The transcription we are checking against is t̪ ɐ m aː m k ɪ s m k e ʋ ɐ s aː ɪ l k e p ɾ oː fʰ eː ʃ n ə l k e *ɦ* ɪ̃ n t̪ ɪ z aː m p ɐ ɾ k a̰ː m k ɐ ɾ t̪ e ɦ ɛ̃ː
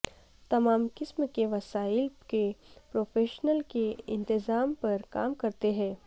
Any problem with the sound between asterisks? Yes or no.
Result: yes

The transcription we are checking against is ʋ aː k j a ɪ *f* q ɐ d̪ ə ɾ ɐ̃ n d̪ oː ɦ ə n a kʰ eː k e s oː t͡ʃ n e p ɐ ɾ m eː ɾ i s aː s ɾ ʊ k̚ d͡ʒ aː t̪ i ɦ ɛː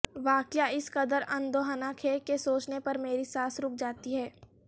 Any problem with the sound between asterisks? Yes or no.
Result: yes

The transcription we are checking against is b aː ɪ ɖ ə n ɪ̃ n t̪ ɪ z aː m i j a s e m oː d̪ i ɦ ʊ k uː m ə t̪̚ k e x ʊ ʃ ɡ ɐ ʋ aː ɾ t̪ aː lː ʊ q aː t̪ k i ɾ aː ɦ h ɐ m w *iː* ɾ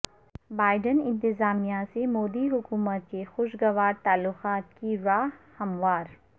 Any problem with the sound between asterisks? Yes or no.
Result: yes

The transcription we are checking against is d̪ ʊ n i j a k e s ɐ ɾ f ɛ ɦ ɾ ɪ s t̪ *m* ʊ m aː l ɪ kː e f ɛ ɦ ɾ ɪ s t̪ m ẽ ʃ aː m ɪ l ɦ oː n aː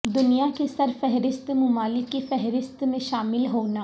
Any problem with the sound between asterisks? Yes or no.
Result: no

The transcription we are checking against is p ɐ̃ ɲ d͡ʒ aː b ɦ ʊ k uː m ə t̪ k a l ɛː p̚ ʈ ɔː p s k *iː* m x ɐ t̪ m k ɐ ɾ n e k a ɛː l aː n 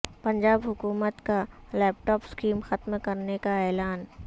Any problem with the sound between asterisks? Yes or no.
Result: no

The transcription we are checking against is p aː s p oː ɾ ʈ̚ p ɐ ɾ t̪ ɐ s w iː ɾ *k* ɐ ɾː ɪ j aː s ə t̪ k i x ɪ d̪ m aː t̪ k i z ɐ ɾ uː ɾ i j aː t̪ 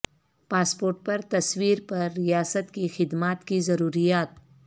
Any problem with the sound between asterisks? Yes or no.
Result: yes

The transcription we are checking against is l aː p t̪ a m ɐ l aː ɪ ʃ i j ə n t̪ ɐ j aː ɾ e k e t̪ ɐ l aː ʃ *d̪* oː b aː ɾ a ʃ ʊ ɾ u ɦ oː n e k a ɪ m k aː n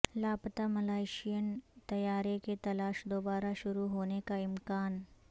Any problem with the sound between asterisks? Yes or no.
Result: no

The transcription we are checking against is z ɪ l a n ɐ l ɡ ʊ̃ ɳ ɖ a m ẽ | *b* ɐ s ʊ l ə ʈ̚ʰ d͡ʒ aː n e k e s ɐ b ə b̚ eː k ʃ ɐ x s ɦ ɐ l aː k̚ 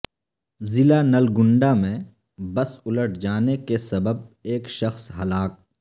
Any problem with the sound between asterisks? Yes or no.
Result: no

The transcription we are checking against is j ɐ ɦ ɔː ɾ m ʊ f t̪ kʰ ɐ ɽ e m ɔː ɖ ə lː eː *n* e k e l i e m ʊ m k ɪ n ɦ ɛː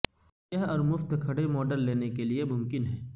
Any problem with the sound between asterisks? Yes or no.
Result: no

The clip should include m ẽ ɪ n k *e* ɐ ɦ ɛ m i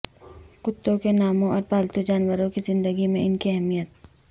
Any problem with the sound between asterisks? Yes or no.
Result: yes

